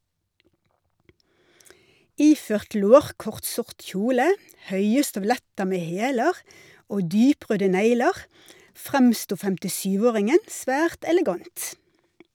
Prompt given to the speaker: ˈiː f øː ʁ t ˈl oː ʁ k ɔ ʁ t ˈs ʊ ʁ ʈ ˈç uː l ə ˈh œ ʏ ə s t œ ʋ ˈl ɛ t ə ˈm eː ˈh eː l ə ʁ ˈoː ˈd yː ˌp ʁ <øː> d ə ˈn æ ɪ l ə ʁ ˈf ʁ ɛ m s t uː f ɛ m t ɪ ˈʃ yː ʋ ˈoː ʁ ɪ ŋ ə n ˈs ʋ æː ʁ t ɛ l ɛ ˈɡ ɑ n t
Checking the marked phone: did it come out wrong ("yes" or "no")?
no